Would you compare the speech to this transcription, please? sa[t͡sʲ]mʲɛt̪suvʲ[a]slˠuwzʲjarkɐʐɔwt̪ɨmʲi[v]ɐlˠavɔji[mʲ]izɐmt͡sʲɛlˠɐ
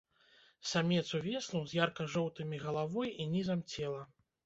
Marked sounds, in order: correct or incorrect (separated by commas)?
incorrect, incorrect, incorrect, incorrect